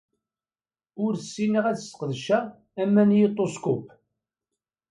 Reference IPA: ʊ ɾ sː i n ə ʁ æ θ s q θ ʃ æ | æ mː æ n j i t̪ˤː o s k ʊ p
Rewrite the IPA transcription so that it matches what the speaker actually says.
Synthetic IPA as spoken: ʊ ɾ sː i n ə ʁ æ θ s q ð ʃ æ | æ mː æ n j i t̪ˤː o s k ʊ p